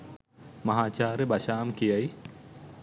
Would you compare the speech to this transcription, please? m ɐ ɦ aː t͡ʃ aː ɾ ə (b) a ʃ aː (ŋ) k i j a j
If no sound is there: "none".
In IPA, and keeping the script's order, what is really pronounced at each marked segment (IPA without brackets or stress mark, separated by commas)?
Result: b, m